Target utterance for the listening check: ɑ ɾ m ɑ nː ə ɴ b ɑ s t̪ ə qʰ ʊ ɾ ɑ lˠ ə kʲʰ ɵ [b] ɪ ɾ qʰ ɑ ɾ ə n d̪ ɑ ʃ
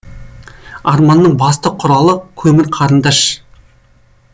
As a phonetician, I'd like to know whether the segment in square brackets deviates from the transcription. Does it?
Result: yes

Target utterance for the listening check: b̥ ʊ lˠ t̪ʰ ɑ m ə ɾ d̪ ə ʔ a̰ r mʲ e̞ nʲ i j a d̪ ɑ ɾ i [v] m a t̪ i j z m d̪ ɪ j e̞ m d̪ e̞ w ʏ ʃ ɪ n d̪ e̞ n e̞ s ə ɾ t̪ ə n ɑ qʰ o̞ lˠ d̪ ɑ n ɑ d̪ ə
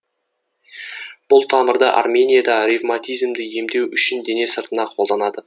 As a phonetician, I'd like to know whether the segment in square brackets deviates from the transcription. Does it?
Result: no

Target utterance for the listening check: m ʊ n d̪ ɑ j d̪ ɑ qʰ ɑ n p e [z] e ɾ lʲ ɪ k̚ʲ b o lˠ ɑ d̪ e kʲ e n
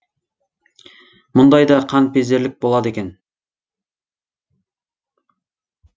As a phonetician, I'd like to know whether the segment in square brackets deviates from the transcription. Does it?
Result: no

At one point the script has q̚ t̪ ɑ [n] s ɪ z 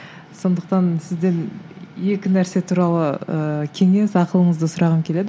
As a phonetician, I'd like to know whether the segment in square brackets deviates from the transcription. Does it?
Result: no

